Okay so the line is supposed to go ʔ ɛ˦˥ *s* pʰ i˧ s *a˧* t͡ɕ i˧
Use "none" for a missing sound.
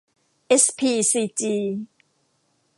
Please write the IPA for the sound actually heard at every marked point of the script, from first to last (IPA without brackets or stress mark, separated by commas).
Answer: s, i˧